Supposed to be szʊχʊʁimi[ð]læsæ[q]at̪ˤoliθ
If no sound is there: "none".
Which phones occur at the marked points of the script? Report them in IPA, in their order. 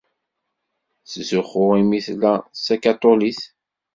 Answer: θ, k

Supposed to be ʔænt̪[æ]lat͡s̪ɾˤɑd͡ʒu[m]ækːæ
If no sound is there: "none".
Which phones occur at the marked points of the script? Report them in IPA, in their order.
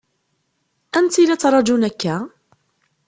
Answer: i, n

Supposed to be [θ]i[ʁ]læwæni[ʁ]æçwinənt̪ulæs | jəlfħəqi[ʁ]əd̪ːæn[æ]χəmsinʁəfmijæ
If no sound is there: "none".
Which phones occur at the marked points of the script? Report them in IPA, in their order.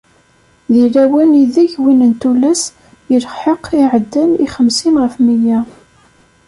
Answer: ð, none, ð, ʕ, i

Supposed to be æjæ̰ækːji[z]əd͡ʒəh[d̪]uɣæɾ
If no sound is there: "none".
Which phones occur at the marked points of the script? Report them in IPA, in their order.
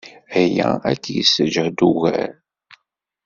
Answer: s, d̪

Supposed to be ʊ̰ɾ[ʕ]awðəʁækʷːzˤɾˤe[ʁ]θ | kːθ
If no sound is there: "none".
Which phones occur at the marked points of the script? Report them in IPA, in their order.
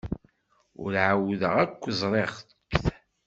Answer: ʕ, ʁ

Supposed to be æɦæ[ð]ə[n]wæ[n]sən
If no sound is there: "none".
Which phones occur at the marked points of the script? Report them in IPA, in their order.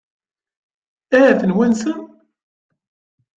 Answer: θ, n, n

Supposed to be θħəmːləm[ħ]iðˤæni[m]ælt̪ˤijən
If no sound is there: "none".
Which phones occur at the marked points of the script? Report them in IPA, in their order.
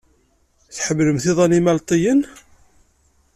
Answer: θ, m

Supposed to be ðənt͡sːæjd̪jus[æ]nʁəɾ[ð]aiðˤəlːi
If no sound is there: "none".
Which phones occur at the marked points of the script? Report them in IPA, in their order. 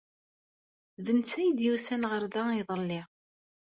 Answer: æ, ð

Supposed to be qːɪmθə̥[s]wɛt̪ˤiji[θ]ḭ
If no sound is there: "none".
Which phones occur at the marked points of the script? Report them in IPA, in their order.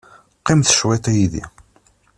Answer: ʃ, ð

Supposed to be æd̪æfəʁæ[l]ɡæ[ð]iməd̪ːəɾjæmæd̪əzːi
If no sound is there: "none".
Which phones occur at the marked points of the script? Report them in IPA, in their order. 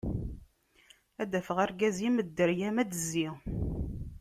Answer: ɾ, z

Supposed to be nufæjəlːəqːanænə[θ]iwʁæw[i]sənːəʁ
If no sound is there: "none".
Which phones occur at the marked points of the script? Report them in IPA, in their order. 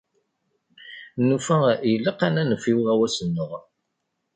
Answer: f, æ

